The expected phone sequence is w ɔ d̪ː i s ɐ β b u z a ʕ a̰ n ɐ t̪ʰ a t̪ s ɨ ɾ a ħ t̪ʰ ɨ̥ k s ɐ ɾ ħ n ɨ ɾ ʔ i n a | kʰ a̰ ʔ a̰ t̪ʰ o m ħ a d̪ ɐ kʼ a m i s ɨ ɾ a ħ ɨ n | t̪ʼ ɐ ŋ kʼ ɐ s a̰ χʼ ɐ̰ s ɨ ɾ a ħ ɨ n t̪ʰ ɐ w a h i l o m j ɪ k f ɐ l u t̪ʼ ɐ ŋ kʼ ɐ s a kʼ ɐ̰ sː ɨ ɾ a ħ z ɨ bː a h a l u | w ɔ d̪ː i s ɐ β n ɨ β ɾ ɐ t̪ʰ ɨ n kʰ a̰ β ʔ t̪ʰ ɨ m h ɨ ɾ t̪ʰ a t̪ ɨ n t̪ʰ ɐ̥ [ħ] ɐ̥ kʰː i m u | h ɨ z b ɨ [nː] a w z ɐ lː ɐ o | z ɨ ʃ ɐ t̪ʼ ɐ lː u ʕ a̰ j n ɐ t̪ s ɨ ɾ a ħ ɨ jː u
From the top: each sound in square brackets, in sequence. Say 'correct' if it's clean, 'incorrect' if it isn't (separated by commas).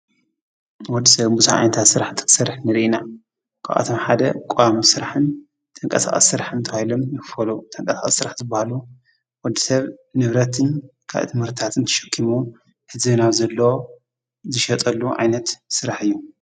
incorrect, incorrect